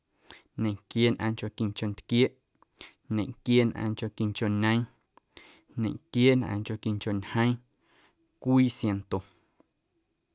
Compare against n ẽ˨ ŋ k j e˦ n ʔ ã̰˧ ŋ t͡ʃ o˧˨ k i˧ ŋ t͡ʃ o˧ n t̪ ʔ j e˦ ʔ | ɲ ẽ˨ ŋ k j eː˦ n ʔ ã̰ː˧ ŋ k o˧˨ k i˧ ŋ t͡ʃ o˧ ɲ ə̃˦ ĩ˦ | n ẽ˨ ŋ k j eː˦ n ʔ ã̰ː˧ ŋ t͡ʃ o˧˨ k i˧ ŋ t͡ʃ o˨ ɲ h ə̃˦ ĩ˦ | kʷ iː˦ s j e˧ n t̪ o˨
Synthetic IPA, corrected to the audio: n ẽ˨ ŋ k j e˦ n ʔ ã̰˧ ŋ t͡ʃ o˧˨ k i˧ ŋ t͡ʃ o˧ n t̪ k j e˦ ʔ | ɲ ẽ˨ ŋ k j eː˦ n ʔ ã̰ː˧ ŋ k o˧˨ k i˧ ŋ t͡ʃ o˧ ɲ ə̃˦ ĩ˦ | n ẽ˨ ŋ k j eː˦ n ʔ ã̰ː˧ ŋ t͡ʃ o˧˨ k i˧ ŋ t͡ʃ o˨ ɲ h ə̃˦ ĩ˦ | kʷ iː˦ s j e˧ n t̪ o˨